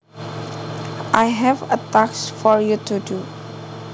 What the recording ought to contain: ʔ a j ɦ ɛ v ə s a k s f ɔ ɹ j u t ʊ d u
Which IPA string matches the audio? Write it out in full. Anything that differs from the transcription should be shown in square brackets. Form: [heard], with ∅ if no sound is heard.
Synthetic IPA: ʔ a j ɦ ɛ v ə [t] a k s f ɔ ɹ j u t [u] d u